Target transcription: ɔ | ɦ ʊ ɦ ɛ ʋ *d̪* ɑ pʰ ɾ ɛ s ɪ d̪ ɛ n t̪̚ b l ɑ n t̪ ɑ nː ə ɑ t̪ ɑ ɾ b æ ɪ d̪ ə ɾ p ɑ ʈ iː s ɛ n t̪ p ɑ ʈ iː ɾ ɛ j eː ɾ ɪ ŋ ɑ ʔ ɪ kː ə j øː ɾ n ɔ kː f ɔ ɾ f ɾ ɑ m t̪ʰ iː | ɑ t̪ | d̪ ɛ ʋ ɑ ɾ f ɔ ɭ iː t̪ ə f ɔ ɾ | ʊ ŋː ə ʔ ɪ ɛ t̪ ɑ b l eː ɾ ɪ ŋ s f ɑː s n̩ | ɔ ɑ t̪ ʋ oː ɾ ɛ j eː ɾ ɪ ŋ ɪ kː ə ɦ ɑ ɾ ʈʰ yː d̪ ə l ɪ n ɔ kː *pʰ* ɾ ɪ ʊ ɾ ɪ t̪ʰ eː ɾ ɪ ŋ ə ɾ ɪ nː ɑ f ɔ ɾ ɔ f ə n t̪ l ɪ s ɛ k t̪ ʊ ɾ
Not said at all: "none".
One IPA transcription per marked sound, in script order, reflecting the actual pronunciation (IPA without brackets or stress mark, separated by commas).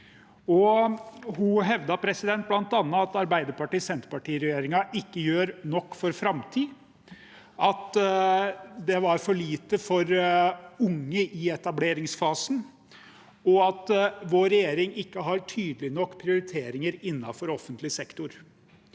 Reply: d̪, pʰ